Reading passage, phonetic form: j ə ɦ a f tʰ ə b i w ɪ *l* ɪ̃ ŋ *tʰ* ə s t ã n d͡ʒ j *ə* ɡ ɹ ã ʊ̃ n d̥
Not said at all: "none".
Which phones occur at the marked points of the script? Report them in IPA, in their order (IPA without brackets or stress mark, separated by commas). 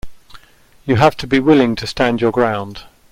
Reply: l, tʰ, ə